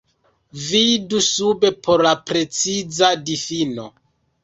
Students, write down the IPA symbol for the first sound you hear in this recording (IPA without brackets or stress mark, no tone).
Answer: v